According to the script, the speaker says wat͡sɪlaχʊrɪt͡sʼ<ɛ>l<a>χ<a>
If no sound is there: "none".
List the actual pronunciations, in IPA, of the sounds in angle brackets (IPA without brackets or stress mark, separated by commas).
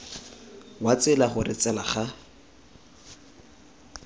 ɛ, a, a